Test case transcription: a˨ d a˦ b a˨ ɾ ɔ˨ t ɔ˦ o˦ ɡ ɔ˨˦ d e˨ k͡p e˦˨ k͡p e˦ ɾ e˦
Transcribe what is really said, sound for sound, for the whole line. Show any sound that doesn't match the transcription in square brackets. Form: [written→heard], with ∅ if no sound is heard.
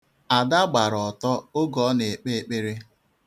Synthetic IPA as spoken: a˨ d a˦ [b→ɡ͡b] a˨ ɾ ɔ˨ t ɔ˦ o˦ ɡ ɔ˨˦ [d→n] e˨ k͡p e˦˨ k͡p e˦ ɾ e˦